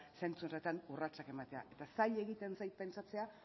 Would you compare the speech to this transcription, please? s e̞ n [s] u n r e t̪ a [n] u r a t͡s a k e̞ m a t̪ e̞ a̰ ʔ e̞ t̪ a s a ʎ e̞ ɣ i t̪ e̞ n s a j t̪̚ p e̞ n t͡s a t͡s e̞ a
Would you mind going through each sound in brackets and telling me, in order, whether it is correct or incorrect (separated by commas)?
incorrect, correct